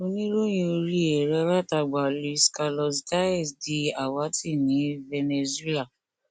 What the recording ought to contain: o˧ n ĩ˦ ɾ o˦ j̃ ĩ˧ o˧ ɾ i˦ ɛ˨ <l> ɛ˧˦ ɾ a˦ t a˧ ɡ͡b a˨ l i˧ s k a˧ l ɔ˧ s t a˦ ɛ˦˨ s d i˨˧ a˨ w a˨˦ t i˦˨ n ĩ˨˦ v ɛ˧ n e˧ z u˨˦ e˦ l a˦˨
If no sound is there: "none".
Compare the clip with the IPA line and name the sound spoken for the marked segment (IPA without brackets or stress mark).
ɾ